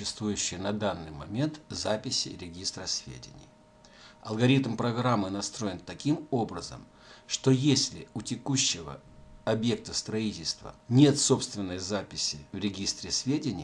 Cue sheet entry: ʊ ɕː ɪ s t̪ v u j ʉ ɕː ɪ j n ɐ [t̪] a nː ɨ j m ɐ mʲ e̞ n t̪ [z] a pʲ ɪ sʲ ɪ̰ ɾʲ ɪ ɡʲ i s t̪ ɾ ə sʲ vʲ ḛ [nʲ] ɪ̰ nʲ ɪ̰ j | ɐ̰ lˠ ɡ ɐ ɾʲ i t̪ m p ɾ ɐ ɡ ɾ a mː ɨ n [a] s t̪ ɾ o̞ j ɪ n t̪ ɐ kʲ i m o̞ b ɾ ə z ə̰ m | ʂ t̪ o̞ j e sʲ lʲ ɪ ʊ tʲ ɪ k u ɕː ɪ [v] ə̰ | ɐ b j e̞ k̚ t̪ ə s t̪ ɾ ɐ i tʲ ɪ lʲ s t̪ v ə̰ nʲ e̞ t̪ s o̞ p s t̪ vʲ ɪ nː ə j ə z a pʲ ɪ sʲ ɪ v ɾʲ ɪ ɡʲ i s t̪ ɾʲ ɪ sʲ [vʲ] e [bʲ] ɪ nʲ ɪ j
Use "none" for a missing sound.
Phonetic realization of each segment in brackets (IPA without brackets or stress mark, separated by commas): d̪, z, dʲ, ɐ, v, vʲ, dʲ